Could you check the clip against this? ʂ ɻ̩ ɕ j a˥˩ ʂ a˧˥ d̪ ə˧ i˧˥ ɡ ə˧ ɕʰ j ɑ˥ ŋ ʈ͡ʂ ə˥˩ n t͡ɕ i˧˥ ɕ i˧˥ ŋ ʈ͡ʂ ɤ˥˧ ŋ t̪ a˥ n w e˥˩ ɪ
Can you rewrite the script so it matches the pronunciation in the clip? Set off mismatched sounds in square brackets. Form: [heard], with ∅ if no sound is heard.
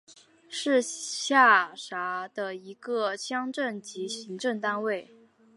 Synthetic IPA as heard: ʂ ɻ̩ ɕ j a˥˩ ʂ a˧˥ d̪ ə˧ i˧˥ ɡ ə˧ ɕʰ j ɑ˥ ŋ ʈ͡ʂ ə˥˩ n t͡ɕ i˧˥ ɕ i˧˥ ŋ ʈ͡ʂ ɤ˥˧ ŋ t̪ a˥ n w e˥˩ ɪ